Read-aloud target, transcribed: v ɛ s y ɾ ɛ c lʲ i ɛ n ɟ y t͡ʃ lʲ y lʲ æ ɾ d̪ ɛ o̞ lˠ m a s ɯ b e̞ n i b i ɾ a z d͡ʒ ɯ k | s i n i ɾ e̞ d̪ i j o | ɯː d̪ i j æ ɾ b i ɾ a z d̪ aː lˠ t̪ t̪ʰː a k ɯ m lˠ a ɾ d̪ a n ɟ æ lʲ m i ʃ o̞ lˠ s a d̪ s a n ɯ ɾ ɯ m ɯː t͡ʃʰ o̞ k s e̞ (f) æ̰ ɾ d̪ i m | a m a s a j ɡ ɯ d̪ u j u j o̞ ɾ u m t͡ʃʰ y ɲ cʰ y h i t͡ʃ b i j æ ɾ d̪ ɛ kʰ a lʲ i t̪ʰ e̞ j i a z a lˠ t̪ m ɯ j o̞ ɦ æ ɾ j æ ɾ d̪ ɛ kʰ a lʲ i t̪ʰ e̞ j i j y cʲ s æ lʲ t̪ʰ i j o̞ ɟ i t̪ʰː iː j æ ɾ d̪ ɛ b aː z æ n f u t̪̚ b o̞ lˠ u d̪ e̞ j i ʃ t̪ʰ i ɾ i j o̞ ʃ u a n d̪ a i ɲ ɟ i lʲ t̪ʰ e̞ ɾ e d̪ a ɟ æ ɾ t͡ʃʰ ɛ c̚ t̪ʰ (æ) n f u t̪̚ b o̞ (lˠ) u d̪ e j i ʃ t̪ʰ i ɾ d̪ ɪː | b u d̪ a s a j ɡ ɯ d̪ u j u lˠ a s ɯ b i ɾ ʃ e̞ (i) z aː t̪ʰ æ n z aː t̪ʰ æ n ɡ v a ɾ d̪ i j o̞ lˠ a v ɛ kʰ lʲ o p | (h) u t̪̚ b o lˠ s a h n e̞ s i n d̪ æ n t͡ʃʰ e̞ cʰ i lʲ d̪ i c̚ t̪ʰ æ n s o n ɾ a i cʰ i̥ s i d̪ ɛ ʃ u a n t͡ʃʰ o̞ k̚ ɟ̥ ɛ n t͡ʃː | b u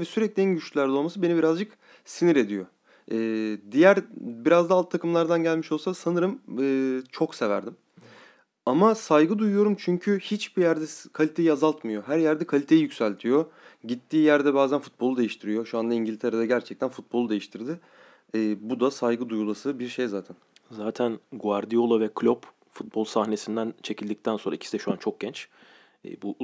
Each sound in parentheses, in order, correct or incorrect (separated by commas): incorrect, correct, correct, incorrect, incorrect